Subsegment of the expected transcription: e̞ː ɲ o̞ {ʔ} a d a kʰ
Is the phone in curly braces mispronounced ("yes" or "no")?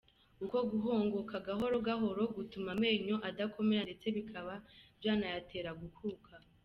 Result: no